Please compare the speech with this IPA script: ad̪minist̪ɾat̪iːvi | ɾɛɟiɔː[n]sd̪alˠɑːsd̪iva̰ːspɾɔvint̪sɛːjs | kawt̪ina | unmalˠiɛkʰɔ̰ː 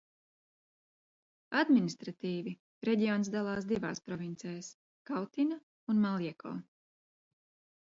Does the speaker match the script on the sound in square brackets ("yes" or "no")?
yes